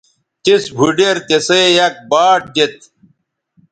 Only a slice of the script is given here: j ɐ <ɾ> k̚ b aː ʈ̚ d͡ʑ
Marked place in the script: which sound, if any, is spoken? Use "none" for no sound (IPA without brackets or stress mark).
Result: none